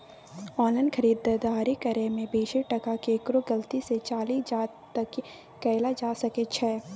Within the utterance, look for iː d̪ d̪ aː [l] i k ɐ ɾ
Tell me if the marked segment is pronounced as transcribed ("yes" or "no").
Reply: no